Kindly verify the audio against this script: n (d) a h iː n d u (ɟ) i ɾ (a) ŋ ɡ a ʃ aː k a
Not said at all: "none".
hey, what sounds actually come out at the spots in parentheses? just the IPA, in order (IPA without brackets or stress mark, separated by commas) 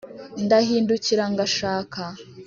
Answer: d, c, a